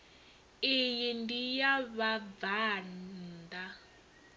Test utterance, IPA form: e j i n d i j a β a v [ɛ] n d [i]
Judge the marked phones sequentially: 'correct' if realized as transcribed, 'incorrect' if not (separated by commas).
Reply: incorrect, incorrect